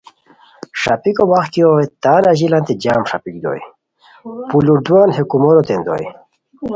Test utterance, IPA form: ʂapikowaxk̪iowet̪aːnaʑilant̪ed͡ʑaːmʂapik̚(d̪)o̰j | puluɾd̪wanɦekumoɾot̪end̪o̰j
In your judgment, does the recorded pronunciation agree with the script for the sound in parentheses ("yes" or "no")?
yes